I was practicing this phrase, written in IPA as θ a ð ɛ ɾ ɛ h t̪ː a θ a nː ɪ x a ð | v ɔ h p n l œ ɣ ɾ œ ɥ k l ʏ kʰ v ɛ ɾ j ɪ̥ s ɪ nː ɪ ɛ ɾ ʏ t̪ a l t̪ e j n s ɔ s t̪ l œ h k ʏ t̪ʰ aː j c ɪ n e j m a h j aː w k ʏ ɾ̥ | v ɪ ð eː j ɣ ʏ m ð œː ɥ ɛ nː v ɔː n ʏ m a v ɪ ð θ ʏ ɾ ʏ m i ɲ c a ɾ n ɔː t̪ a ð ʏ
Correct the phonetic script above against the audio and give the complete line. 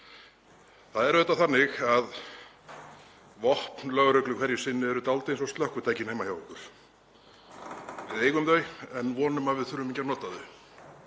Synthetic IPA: θ a ð ɛ ɾ ɛ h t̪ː a θ a nː ɪ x a ð | v ɔ h p n l œ ɣ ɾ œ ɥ k l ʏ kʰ v ɛ ɾ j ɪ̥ s ɪ nː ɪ ɛ ɾ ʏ t̪ a l t̪ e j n s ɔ s t̪ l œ h k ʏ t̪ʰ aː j c ɪ n e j m a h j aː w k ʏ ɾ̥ | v ɪ ð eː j ɣ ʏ m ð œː ɥ ɛ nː v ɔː n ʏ m a v ɪ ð θ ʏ ɾ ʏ m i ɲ c a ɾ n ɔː t̪ a ð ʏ